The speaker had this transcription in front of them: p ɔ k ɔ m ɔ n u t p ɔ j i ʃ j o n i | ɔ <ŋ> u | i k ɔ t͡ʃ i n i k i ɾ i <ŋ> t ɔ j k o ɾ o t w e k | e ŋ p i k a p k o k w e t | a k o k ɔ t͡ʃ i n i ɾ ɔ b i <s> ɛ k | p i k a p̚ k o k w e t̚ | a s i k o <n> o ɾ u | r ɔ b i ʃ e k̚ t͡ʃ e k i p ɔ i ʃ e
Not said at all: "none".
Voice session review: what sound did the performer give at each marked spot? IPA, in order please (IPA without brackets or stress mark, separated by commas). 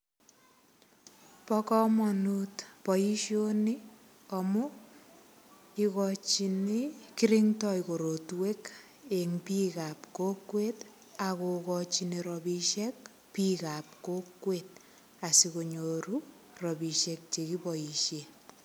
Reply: m, ŋ, ʃ, ɲ